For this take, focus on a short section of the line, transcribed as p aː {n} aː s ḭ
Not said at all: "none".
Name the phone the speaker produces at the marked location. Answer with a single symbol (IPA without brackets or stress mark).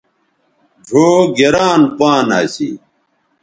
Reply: n